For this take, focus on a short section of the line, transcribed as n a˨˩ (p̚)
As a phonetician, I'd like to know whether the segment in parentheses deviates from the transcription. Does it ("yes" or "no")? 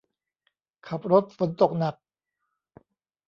yes